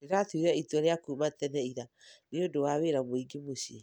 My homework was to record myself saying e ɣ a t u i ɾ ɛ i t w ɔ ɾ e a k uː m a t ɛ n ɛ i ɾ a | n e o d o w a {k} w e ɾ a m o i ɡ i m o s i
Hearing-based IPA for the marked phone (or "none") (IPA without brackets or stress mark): none